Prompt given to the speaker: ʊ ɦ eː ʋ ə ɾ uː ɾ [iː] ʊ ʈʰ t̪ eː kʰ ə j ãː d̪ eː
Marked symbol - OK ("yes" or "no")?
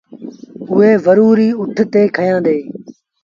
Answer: yes